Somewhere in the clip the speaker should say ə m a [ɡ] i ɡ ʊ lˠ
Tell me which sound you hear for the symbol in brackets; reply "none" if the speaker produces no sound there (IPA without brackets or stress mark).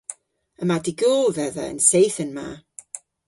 d